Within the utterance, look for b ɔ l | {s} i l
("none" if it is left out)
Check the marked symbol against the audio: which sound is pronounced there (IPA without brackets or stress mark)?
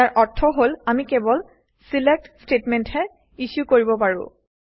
s